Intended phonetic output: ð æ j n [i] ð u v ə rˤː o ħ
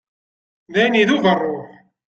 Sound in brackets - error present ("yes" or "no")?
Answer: no